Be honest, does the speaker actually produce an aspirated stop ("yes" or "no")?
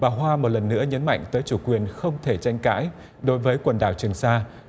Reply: yes